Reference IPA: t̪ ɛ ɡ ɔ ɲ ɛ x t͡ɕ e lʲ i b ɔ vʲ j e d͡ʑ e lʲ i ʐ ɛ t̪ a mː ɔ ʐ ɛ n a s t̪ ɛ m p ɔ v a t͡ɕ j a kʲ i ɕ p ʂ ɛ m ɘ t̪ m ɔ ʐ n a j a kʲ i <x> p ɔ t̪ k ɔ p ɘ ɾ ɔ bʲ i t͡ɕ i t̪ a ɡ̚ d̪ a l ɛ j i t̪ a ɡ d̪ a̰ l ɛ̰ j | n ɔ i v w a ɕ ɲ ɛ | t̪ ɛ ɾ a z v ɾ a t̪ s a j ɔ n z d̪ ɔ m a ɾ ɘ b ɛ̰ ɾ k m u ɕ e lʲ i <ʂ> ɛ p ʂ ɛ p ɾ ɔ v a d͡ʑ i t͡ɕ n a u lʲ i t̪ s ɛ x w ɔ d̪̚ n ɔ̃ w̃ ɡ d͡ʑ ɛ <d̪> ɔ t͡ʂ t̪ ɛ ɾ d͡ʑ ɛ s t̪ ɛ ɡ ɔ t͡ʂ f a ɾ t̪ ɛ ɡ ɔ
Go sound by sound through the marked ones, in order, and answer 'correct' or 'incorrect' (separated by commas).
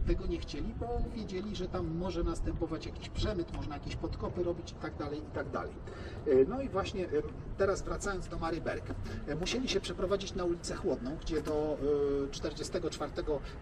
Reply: incorrect, incorrect, correct